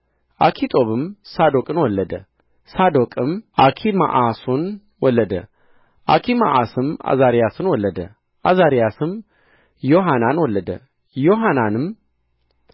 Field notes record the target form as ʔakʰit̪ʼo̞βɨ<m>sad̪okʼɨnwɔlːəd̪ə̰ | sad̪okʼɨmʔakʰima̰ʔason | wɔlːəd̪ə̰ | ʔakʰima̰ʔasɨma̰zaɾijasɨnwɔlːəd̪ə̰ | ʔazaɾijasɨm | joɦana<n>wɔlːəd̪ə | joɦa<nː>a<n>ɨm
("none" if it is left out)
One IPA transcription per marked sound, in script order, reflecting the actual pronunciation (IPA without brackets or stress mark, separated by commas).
m, n, n, n